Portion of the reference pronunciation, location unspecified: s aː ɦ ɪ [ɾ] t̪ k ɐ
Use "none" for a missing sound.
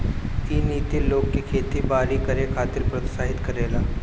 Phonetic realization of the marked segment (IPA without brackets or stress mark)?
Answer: none